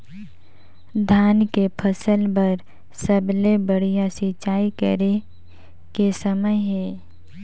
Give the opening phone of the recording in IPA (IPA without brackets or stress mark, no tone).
d̪ʱ